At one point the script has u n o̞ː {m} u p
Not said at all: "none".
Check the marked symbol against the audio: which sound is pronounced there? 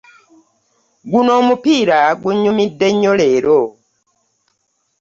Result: m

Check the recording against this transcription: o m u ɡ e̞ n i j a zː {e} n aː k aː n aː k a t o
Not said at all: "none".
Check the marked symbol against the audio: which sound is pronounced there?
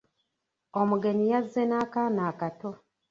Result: e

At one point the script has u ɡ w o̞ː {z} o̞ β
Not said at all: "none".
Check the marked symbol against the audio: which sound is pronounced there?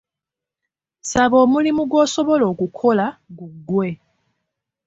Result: s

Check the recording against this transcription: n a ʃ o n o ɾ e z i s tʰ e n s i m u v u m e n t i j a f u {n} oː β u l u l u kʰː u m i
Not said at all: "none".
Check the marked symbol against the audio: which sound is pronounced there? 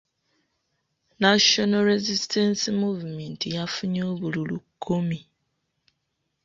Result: ɲ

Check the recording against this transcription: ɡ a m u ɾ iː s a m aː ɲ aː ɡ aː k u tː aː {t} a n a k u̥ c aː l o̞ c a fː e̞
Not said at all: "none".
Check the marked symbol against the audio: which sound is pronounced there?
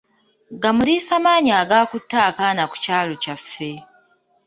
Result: k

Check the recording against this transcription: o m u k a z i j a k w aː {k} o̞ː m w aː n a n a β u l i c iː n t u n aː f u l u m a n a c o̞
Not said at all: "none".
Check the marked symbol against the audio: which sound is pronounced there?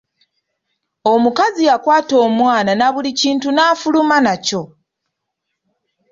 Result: t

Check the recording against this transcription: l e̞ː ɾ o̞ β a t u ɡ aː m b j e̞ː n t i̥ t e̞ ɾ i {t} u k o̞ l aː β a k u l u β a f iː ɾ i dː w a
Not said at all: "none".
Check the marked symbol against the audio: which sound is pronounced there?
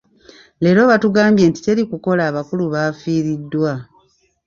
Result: k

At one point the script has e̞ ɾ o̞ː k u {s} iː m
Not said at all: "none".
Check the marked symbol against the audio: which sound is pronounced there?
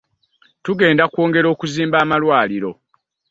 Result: z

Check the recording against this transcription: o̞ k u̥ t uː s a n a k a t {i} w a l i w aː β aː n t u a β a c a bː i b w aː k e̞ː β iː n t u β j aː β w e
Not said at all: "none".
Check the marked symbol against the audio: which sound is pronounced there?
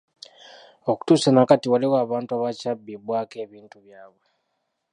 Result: i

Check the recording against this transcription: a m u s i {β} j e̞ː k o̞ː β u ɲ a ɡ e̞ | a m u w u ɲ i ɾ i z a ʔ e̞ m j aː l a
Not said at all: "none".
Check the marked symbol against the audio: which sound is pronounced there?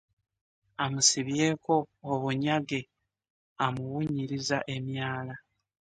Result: β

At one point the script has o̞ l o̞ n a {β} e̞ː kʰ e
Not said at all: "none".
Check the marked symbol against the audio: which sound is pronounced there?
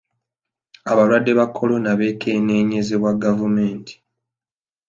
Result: β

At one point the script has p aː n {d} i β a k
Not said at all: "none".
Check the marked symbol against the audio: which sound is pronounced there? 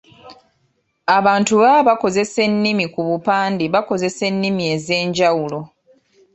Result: d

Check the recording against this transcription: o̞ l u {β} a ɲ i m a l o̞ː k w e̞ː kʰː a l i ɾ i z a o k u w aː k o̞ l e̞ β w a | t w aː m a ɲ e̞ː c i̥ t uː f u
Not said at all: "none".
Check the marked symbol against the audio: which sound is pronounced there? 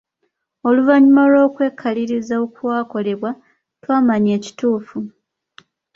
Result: v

